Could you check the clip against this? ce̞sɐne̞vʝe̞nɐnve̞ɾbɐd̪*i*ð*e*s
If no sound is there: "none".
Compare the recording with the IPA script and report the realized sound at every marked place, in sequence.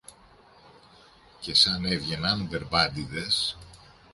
i, e

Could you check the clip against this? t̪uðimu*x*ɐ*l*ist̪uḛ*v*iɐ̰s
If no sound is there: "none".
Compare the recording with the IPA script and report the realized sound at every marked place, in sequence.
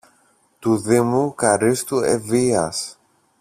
k, ɾ, v

